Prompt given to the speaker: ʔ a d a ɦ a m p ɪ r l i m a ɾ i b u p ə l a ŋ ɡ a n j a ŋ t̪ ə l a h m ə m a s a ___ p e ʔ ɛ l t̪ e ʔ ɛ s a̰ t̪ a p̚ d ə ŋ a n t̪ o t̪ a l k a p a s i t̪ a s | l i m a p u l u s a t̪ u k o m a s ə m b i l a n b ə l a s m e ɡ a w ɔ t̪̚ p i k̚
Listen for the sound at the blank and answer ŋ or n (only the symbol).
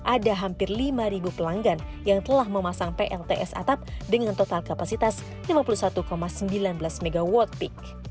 ŋ